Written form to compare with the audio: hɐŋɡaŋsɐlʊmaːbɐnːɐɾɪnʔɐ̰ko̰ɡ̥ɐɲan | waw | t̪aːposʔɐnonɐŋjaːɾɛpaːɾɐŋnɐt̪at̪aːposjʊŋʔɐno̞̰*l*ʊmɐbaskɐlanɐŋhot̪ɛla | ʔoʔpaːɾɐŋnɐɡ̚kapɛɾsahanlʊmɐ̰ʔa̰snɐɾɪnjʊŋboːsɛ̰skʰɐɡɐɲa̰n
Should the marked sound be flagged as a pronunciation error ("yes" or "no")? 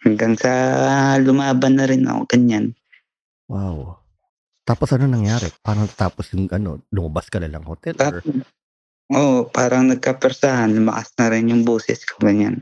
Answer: no